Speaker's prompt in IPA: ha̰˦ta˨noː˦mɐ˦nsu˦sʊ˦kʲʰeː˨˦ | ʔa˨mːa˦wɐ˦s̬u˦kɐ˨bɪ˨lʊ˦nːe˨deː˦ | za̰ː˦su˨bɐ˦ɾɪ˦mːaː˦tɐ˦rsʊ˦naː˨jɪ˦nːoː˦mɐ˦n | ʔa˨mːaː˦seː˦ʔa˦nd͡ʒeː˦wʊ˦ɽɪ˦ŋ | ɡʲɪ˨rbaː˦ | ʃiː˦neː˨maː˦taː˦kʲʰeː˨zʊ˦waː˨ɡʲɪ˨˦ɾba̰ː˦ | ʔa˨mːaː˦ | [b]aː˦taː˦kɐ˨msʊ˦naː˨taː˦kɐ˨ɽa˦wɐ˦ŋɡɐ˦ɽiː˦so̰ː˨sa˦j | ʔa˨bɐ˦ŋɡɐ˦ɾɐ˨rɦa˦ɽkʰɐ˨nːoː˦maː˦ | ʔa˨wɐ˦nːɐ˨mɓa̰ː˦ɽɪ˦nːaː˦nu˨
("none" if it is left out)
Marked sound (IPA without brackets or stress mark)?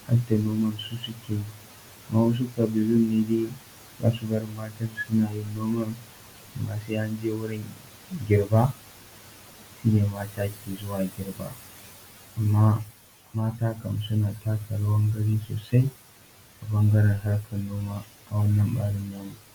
m